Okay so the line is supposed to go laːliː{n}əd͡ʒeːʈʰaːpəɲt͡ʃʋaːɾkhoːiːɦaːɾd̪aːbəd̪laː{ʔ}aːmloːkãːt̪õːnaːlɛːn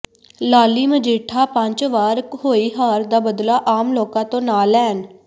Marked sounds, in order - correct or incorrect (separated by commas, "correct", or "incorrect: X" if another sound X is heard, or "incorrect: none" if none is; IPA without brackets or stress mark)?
incorrect: m, correct